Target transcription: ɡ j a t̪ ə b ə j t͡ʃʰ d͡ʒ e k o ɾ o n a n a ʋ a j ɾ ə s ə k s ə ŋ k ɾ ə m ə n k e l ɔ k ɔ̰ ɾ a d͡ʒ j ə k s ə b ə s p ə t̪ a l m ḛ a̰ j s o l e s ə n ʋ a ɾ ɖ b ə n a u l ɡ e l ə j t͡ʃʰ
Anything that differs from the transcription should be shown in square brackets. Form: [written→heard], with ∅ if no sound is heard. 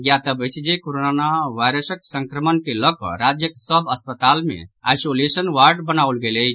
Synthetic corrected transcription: ɡ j a t̪ ə b ə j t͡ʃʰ d͡ʒ e k o ɾ o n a n a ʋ a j ɾ ə s ə k s ə ŋ k ɾ ə m ə n k e l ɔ k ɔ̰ ɾ a d͡ʒ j ə k s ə b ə s p ə t̪ a l m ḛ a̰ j s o l e s ə n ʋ a ɾ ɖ b ə n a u l ɡ e l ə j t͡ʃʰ